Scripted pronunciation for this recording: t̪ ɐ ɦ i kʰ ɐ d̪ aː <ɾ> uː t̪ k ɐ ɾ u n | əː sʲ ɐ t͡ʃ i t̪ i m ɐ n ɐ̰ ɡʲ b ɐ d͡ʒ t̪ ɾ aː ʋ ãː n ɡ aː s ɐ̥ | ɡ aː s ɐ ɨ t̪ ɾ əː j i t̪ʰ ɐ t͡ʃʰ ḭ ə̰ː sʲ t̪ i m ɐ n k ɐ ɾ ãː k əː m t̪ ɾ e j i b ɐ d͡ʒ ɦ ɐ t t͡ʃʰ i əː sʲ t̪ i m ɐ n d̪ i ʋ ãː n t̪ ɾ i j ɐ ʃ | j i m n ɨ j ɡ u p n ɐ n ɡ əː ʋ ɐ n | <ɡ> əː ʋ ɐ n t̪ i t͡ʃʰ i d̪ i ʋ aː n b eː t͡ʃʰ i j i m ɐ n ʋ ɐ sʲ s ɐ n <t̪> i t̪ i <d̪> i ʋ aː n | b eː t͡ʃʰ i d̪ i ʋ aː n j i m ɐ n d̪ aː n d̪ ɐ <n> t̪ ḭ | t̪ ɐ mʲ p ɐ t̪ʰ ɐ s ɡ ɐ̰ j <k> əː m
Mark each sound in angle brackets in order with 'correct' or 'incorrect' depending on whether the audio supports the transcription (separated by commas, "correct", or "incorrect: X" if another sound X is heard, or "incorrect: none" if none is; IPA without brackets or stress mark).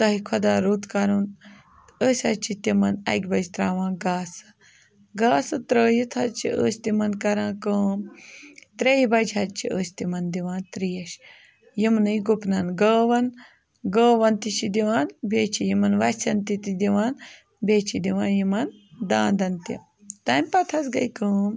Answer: correct, correct, correct, correct, correct, correct